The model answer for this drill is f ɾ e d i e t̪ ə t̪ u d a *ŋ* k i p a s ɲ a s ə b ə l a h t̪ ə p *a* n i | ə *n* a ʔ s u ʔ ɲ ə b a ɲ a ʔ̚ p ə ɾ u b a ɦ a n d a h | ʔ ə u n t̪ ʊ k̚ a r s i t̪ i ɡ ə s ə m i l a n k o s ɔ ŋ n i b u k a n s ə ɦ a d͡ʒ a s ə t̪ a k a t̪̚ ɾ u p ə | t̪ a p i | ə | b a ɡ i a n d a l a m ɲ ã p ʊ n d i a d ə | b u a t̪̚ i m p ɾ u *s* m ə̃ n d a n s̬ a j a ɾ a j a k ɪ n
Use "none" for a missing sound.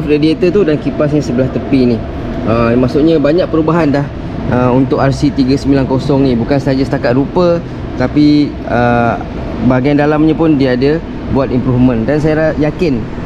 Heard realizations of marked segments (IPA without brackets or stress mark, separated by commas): n, i, m, f